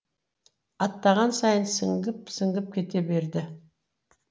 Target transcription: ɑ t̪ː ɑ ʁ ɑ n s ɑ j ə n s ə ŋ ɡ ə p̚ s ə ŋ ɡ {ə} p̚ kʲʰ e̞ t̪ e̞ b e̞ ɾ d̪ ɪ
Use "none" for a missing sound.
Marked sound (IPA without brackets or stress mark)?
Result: ə